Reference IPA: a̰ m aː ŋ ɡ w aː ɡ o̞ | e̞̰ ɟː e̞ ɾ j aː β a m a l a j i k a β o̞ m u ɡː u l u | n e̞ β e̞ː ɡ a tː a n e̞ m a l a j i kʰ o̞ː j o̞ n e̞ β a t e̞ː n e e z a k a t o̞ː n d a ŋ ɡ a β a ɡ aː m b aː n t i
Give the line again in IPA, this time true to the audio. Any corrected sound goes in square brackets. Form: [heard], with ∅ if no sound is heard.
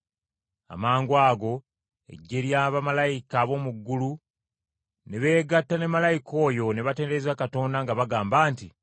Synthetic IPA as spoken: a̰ m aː ŋ ɡ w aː ɡ o̞ | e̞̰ ɟː e̞ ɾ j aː β a m a l a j i k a β o̞ m u ɡː u l u | n e̞ β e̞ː ɡ a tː a n e̞ m a l a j i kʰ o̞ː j o̞ n e̞ β a t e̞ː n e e z a k a t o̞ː n d a ŋ ɡ a β a ɡ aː m b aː n t i